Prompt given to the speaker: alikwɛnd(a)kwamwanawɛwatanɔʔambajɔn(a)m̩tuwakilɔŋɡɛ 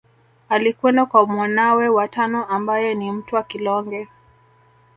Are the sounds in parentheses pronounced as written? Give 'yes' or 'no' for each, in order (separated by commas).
yes, no